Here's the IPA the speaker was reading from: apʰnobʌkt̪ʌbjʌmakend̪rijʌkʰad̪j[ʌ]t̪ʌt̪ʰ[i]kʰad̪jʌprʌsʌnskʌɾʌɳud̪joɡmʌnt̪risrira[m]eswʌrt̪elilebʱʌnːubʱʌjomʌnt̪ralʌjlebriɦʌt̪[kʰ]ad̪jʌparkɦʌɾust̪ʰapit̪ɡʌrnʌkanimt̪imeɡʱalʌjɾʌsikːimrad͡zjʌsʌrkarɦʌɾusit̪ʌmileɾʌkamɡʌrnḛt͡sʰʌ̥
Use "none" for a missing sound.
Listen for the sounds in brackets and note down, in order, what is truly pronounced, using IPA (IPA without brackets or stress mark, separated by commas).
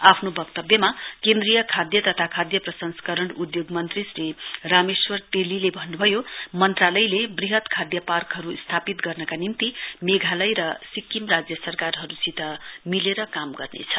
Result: ʌ, a, m, kʰ